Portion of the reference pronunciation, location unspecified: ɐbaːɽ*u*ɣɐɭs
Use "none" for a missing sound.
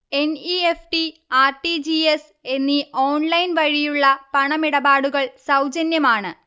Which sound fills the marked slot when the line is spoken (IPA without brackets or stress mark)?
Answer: u